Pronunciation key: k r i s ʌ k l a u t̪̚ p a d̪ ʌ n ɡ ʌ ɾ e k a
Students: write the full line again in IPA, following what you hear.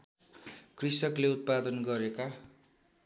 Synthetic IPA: k r i s ʌ k l e u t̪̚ p a d̪ ʌ n ɡ ʌ ɾ e k a